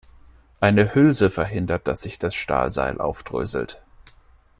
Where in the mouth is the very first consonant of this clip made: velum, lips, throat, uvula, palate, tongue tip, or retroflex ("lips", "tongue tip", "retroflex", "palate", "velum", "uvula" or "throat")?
throat